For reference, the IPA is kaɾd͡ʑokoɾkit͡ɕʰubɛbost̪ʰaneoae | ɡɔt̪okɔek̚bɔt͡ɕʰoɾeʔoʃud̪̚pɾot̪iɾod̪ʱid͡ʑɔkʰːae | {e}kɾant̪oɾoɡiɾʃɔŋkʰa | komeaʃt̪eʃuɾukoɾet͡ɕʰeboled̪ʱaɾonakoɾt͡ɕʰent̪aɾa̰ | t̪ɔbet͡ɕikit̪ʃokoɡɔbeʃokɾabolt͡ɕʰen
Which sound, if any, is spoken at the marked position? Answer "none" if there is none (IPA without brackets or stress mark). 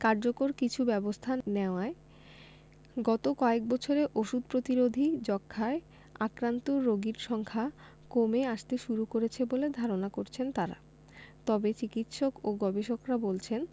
a